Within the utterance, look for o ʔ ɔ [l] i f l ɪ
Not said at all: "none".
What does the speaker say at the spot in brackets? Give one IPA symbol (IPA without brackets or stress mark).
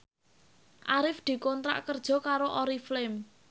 ɾ